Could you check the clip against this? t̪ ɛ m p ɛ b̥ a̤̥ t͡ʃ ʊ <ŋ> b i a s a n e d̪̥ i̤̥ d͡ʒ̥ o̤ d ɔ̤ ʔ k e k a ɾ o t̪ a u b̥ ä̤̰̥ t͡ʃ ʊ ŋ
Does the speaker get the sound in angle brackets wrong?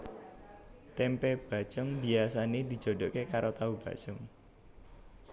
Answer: no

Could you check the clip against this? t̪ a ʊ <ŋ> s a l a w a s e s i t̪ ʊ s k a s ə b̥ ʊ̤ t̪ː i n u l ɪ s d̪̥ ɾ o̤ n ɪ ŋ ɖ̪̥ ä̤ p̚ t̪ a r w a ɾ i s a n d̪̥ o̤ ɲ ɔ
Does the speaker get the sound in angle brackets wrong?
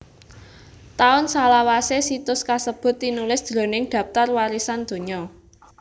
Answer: yes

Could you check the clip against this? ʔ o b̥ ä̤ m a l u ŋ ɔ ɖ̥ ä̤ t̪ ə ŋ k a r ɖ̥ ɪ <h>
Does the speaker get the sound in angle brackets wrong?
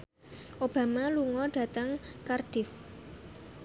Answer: yes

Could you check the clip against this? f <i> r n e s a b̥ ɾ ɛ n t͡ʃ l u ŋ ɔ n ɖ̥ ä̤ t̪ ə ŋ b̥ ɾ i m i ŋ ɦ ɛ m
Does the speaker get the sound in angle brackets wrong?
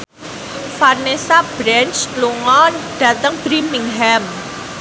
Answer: yes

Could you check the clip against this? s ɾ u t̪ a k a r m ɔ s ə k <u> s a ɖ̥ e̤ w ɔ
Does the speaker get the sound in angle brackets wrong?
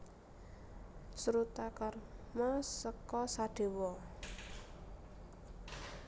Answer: yes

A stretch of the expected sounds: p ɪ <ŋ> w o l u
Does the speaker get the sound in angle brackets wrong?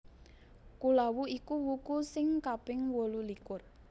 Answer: no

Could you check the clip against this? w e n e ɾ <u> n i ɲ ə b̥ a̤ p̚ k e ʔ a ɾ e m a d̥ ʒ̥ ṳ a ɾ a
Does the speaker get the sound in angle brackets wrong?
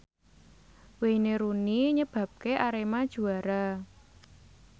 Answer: no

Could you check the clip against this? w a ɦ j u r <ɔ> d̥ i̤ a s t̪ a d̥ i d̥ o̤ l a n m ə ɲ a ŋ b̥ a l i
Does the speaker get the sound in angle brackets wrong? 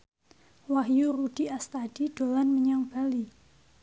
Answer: yes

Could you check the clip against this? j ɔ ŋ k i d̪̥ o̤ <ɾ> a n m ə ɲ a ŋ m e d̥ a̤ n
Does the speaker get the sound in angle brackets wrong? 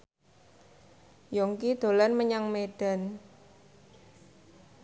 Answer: yes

